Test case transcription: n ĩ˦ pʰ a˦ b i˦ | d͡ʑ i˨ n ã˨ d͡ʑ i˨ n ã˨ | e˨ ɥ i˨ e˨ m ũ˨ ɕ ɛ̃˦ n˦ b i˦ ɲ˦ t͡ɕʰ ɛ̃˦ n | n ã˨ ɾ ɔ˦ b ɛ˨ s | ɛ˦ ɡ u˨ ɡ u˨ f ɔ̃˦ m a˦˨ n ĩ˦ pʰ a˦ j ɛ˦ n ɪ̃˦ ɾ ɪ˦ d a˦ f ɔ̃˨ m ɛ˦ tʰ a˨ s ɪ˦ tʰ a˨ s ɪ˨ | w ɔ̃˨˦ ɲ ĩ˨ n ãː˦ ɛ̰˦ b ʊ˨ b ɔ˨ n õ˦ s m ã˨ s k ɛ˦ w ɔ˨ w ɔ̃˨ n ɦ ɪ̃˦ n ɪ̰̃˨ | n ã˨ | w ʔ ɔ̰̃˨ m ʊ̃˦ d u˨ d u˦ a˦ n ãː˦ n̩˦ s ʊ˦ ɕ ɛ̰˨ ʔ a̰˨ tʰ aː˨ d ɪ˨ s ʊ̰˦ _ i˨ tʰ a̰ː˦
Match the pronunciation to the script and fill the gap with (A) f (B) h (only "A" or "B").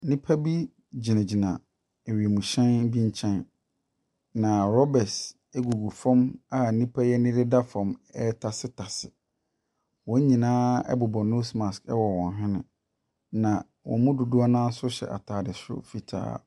A